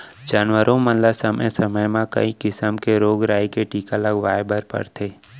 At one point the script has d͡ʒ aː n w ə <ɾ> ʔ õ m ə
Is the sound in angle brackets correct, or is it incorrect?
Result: correct